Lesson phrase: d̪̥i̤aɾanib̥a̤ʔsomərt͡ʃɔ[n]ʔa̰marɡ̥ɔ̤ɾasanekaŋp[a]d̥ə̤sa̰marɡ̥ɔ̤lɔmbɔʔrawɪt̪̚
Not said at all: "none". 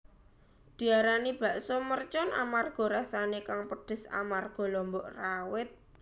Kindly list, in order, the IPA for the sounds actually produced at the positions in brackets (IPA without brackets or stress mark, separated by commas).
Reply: n, ə